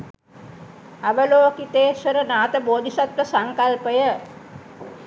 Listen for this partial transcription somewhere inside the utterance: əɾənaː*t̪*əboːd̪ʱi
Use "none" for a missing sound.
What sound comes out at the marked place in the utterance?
t̪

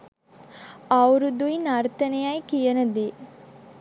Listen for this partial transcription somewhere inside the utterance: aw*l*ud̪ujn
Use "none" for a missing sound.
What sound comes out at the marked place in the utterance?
ɾ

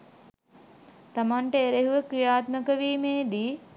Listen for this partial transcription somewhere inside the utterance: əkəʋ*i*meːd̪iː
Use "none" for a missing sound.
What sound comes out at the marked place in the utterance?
iː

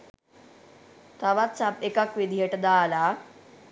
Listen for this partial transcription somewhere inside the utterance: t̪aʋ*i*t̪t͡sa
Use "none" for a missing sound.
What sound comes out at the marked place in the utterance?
a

